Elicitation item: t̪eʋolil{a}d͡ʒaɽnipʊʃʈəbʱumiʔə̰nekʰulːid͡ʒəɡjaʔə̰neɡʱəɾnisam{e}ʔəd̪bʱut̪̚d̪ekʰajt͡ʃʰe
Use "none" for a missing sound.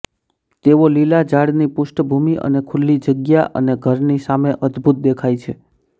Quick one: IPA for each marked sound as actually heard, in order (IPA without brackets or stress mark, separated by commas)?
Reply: a, e